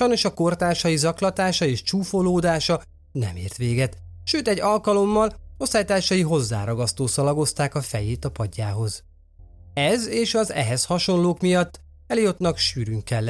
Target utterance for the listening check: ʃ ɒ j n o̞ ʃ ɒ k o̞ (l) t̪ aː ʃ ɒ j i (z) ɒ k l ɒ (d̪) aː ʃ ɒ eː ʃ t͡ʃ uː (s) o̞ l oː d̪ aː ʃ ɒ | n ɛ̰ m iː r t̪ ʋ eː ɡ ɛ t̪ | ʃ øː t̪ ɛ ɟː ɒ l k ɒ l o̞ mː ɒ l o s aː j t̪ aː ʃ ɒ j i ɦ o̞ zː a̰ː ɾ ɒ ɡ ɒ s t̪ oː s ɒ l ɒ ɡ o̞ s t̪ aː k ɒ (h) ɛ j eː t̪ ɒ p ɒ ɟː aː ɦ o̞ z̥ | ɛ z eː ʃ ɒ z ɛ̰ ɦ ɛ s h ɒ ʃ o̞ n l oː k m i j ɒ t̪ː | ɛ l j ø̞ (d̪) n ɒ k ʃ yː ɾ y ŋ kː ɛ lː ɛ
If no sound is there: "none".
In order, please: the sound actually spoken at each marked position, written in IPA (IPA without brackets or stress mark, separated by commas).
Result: r, z, t̪, f, f, t̪